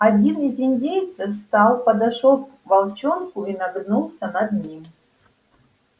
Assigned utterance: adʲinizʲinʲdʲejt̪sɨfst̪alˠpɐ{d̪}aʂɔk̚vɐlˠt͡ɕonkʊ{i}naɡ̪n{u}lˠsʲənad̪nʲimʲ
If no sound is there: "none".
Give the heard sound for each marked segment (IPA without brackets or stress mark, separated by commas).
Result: d̪, i, u